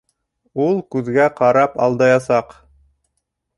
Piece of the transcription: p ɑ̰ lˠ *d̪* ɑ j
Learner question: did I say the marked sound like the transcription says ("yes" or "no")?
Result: yes